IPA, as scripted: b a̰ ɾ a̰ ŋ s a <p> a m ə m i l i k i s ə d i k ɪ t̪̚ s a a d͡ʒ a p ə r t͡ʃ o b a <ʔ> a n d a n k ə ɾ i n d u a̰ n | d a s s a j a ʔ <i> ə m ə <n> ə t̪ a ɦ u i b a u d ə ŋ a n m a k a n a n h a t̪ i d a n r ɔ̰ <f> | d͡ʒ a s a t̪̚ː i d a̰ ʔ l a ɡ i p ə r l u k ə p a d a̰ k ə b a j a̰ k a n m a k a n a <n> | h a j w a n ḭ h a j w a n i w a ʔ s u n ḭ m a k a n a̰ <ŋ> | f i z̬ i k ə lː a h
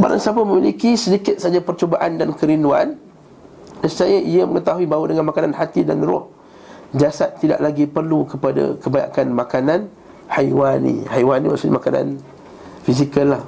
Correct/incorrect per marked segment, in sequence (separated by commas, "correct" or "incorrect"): correct, correct, correct, incorrect, incorrect, correct, incorrect